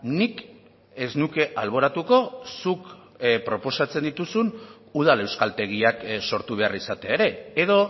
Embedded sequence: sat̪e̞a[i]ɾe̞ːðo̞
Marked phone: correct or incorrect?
incorrect